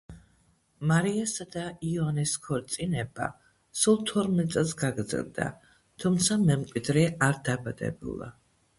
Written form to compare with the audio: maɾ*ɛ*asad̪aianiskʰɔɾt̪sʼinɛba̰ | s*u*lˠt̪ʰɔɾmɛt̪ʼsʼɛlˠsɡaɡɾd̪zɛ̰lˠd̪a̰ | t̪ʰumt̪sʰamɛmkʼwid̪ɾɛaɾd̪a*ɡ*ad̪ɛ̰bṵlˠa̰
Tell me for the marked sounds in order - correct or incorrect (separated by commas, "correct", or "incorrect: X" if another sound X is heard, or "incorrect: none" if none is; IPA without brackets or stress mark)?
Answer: incorrect: i, correct, incorrect: b